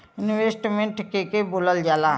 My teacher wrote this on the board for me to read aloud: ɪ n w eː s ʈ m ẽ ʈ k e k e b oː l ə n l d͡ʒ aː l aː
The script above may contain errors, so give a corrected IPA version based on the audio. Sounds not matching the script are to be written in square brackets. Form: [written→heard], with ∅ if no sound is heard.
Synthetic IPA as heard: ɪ n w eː s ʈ m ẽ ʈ k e k e b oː l ə [n→∅] l d͡ʒ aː l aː